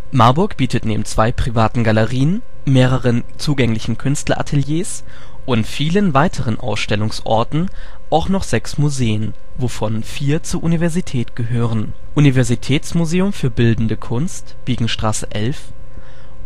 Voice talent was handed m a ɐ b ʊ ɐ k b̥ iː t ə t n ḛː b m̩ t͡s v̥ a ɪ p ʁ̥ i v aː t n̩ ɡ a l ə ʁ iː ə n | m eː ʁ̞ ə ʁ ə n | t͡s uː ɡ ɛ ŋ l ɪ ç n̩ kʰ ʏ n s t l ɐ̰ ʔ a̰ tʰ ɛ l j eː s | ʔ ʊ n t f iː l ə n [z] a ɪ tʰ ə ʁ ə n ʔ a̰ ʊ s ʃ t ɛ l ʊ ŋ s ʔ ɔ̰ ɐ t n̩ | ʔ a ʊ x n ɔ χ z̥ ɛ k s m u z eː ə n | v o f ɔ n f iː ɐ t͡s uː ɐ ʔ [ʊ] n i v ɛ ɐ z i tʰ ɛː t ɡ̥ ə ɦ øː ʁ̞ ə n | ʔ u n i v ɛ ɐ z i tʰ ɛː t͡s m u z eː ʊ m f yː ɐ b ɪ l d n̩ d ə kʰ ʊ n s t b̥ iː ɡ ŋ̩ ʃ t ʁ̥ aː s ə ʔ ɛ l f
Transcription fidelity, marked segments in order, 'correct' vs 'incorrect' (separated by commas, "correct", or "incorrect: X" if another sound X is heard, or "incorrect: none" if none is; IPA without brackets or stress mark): incorrect: v, incorrect: u